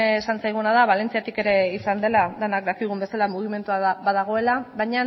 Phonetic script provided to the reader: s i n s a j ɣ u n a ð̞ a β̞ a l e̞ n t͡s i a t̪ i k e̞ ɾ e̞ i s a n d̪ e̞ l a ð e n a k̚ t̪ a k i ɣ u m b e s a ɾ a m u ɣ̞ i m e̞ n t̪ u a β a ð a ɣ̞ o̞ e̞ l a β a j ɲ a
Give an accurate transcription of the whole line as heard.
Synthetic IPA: s a n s a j ɣ u n a ð̞ a β̞ a l e̞ n t͡s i a t̪ i k e̞ ɾ e̞ i s a n d̪ e̞ l a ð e n a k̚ d̪ a k i ɣ u m b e s a l a m u ɣ̞ i m e̞ n t̪ u a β a ð a ɣ̞ o̞ e̞ l a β a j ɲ a